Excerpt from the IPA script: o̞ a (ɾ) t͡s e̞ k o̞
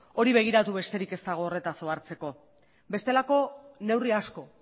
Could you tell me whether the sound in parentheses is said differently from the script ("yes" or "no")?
no